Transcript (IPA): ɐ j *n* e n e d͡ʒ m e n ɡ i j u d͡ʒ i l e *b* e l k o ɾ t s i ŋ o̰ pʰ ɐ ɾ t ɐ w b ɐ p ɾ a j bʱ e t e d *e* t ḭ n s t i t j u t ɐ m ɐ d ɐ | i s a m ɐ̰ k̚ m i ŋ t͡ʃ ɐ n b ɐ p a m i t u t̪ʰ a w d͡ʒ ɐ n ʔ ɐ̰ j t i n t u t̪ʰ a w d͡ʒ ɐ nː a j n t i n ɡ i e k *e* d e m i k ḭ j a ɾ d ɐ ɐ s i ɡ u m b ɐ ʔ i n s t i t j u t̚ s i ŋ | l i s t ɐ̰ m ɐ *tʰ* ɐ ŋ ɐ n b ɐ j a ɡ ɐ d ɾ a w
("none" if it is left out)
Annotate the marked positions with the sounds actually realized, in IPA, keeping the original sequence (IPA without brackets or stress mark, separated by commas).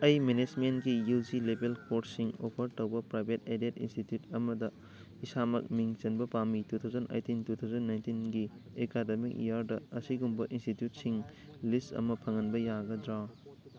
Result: m, b, e, a, pʰ